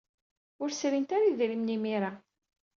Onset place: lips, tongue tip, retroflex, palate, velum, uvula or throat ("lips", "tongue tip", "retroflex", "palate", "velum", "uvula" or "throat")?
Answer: tongue tip